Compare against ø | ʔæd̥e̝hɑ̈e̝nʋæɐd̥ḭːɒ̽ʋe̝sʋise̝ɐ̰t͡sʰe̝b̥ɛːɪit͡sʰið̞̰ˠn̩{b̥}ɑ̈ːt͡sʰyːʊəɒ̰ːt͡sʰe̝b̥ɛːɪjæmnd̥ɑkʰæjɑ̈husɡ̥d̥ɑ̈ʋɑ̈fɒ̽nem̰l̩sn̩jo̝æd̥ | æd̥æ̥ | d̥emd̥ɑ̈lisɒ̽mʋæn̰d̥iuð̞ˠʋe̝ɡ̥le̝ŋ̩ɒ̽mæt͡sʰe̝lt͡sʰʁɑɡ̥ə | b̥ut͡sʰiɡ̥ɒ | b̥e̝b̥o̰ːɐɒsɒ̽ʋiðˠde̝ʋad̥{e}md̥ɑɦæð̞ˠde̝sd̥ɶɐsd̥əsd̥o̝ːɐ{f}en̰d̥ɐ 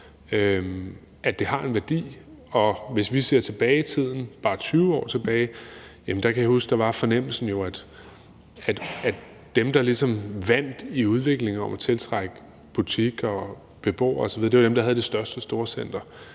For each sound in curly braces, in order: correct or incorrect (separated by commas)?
correct, correct, incorrect